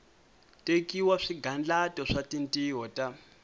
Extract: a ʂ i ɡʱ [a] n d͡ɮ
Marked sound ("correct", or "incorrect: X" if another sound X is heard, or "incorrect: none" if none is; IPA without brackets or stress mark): correct